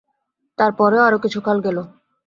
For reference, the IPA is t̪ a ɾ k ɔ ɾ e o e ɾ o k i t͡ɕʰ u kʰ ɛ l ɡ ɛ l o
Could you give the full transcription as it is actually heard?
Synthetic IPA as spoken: t̪ a ɾ p ɔ ɾ e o a ɾ o k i t͡ɕʰ u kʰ a l ɡ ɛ l o